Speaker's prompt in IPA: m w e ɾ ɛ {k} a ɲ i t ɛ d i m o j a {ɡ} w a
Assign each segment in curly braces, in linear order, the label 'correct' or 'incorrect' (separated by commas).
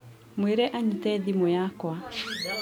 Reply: incorrect, incorrect